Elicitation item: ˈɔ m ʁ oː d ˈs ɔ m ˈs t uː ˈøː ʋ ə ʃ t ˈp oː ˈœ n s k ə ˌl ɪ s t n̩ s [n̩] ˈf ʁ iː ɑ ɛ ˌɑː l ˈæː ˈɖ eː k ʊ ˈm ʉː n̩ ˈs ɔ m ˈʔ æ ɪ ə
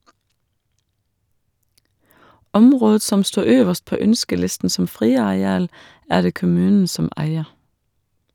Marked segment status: incorrect: m̩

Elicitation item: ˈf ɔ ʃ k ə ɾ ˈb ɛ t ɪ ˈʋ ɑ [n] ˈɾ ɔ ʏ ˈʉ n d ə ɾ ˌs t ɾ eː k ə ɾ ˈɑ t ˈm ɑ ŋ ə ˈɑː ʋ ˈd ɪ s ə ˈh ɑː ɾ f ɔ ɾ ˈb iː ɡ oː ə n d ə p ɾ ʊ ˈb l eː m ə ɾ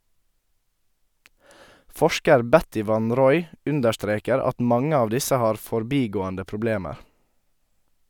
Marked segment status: correct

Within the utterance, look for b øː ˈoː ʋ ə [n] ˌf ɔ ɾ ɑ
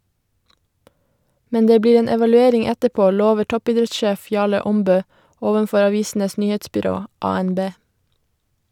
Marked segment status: correct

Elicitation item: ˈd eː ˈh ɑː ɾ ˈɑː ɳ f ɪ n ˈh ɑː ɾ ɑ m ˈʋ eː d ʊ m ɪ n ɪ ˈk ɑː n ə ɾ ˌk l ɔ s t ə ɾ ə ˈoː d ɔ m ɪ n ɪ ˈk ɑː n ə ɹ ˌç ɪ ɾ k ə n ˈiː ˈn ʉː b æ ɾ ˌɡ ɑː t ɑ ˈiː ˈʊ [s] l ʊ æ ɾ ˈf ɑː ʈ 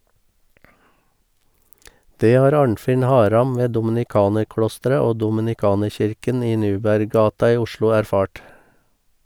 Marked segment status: incorrect: ʃ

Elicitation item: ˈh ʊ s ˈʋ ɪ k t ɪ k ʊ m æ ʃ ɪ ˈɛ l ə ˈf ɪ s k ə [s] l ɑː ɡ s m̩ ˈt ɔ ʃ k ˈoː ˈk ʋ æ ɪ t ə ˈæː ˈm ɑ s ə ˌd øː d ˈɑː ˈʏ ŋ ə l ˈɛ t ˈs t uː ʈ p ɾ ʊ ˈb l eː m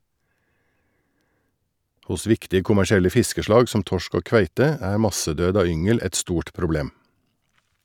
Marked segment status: incorrect: ʃ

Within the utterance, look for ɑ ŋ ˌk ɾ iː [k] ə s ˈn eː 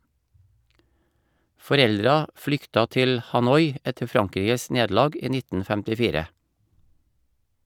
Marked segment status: incorrect: ɡ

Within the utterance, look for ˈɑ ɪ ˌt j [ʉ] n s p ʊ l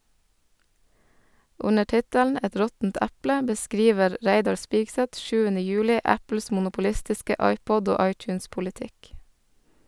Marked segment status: incorrect: ʉː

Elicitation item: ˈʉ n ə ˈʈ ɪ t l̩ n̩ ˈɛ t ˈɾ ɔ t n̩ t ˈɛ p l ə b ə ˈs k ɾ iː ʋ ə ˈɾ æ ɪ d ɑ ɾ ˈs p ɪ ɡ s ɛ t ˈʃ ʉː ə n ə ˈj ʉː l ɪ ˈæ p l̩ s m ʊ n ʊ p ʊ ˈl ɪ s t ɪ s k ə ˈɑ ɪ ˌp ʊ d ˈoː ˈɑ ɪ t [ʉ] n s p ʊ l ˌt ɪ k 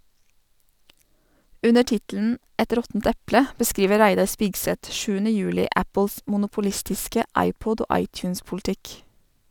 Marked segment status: incorrect: ʉː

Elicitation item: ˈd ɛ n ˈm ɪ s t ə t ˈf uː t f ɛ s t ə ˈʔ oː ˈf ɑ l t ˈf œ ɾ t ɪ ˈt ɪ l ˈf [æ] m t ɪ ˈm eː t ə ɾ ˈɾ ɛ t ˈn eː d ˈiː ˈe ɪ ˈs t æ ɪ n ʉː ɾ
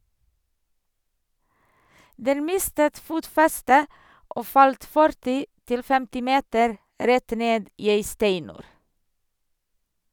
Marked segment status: incorrect: ɛ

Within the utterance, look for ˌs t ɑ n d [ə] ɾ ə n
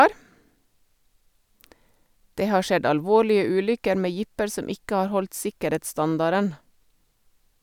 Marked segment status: incorrect: ɑ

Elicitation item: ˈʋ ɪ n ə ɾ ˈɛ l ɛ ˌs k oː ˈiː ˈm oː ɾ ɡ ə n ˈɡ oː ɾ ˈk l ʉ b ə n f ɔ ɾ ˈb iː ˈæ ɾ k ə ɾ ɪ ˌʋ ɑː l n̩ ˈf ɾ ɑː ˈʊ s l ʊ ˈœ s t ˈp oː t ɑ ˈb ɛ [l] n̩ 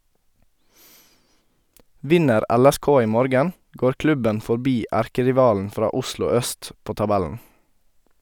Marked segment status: correct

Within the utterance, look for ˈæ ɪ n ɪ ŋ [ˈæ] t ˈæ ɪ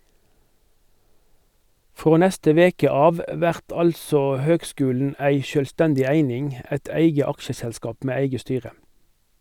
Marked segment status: correct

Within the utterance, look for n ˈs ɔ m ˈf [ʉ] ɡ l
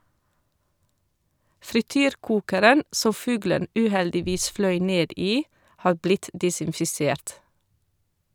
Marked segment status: incorrect: ʉː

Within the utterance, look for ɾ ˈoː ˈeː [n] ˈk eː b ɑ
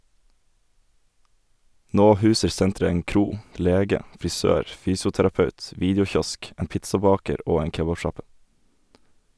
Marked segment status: incorrect: ŋ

